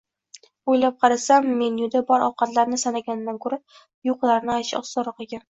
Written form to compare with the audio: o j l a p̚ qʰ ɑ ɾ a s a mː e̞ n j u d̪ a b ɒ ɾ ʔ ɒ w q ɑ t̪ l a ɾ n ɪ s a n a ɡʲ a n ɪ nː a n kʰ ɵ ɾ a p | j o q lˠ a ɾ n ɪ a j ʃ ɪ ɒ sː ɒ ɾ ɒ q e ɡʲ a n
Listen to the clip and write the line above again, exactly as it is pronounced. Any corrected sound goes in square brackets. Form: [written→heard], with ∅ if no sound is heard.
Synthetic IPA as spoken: o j l a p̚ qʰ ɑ ɾ a s a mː e̞ n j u d̪ a b ɒ ɾ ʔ ɒ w q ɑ t̪ l a ɾ n ɪ s a n a ɡʲ a n ɪ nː a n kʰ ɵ ɾ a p | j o q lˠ a ɾ n ɪ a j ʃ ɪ ɒ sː ɒ ɾ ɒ q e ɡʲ a n